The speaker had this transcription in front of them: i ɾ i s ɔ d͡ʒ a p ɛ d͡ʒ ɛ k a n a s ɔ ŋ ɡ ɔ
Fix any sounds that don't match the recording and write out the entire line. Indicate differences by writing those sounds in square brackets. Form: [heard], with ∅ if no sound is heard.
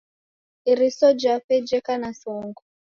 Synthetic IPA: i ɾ i s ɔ d͡ʒ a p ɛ d͡ʒ ɛ k a n a s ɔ ŋ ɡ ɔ